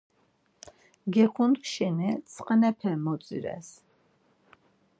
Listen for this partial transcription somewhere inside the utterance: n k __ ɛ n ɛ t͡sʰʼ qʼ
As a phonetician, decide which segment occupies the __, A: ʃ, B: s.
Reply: A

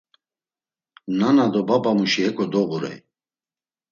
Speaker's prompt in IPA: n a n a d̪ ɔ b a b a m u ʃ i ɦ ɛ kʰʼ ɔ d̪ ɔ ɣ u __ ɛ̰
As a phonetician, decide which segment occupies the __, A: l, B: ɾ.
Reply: B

